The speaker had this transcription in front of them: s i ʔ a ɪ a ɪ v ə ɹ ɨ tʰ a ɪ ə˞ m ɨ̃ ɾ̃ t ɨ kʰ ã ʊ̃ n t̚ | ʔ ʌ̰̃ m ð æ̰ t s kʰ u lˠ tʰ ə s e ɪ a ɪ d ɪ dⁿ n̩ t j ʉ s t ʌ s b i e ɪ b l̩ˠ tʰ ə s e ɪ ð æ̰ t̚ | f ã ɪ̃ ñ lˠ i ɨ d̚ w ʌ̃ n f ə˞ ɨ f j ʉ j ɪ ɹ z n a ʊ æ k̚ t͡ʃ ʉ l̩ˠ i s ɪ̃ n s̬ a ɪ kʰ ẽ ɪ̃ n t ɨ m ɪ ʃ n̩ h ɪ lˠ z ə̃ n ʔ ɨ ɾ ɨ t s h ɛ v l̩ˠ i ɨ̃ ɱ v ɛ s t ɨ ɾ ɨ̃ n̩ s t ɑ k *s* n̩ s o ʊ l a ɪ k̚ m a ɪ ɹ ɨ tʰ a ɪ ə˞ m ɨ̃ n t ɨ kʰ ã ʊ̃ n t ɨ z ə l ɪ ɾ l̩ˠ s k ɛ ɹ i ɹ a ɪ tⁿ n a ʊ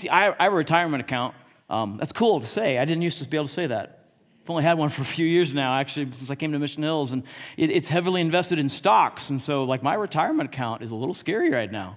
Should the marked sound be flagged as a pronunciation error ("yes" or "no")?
no